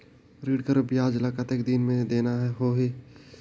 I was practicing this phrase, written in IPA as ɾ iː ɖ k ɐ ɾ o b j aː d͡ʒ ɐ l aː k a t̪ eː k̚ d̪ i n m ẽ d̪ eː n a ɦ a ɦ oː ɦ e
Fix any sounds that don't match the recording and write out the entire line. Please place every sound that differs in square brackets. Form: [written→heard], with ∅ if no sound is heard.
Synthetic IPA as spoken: ɾ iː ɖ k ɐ ɾ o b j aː d͡ʒ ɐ l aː k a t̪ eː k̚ d̪ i n m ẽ d̪ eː n a ɦ [a→ɛ] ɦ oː ɦ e